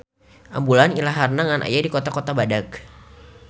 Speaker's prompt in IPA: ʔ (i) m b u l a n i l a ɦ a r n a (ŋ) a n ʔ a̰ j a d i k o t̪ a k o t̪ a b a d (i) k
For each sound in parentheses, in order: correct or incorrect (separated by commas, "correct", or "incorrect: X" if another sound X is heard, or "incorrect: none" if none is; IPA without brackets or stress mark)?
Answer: incorrect: a, correct, incorrect: a